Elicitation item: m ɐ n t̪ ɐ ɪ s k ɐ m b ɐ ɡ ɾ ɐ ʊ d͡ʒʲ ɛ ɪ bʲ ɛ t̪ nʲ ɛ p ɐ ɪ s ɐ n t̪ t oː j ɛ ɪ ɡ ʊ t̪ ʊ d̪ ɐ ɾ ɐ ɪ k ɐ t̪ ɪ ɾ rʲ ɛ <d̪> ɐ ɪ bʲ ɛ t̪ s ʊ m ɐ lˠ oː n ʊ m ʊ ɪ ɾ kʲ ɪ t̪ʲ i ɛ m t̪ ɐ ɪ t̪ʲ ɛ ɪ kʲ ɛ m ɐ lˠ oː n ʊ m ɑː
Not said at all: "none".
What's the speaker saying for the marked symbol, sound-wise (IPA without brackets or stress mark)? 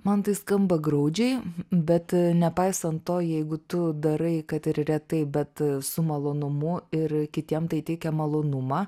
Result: t̪